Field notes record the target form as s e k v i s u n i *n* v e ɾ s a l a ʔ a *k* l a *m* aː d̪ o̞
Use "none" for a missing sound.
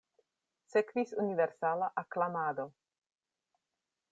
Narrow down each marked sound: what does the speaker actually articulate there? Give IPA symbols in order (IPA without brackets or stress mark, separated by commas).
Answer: none, k, m